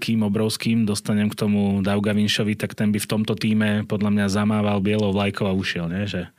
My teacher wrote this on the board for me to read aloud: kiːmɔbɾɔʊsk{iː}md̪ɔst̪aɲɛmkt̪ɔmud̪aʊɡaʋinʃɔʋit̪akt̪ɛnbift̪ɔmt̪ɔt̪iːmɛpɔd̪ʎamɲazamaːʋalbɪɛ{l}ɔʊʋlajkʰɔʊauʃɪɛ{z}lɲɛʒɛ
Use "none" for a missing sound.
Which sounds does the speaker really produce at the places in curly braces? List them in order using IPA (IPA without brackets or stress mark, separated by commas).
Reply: iː, l, none